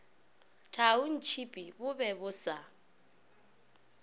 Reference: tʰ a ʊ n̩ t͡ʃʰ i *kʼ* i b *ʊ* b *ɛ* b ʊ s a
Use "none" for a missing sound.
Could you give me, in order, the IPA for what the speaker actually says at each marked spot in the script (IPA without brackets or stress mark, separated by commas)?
pʼ, ʊ, ɛ